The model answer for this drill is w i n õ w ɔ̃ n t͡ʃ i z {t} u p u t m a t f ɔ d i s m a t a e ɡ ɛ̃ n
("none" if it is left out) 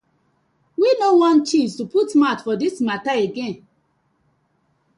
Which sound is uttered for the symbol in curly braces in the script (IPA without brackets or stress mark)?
t